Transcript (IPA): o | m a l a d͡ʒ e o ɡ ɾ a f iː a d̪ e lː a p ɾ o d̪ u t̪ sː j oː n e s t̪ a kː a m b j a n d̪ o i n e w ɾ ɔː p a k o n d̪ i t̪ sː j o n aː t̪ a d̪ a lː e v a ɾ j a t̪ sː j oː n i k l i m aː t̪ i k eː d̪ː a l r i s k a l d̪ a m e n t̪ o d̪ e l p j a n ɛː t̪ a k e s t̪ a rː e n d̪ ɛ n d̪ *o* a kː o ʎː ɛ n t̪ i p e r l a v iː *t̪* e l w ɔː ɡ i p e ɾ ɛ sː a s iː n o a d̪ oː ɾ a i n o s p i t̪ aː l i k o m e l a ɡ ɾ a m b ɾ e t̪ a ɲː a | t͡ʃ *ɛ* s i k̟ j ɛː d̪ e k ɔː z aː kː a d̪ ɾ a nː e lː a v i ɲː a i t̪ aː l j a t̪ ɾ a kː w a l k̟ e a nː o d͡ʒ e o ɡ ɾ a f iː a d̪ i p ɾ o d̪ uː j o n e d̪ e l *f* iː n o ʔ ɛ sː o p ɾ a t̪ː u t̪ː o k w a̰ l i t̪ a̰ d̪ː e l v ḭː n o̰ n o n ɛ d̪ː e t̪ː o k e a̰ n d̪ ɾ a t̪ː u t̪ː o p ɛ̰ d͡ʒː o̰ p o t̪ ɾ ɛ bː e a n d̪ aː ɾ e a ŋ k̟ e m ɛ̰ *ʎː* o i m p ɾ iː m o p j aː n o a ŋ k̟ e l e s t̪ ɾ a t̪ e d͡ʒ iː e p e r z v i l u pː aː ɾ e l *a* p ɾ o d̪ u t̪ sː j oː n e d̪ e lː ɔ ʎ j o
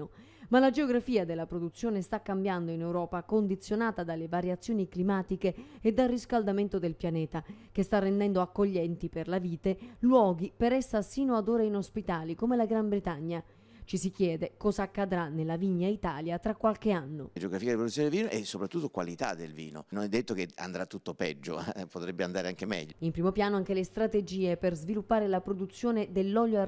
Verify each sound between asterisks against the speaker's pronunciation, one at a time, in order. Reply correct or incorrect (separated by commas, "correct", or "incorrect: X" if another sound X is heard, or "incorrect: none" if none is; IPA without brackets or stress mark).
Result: correct, correct, incorrect: i, incorrect: v, correct, correct